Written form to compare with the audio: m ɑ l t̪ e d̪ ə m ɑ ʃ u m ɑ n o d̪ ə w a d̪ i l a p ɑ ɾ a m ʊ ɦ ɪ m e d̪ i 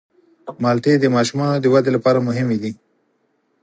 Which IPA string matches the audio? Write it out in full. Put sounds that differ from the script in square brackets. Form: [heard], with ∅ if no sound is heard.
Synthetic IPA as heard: m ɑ l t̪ e d̪ ə m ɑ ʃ u m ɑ n o d̪ ə w a d̪ [e] l a p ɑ ɾ a m ʊ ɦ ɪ m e d̪ i